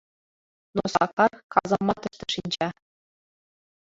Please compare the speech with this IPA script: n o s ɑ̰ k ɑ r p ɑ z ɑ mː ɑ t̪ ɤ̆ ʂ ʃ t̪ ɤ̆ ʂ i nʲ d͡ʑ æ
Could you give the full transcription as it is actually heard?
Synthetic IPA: n o s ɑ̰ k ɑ r k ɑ z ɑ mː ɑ t̪ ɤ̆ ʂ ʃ t̪ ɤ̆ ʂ i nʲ d͡ʑ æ